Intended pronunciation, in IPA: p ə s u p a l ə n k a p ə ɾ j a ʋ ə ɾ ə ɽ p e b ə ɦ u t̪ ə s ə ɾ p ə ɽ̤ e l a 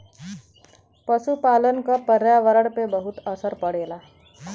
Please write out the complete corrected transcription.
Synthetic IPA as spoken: p ə s u p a l ə n k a p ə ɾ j a ʋ ə ɾ ə ɽ p e b ə ɦ u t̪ ə s ə ɾ p ə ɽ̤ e l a